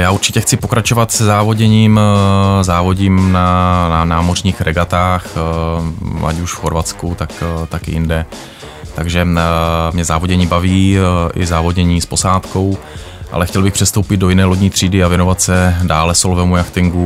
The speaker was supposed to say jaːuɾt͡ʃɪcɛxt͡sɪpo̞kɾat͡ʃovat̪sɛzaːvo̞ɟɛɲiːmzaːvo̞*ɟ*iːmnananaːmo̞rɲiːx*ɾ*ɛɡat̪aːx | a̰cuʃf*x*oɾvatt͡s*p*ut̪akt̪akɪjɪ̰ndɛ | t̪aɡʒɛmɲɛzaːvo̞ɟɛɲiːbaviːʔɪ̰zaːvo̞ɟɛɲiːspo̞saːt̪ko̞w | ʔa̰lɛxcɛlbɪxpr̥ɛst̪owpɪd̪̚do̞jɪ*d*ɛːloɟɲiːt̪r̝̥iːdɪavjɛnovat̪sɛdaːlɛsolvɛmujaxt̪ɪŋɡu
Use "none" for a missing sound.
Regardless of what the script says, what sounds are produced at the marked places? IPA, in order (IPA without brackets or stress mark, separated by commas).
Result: ɟ, ɾ, x, k, n